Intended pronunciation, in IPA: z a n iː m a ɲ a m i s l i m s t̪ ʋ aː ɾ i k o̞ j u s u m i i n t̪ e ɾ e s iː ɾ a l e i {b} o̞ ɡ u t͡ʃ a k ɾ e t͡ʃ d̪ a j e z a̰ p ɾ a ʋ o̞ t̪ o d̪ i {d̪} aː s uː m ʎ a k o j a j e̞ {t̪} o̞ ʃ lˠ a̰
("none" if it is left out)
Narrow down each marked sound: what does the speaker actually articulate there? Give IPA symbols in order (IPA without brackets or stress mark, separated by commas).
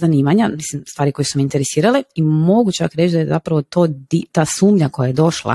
m, t̪, d̪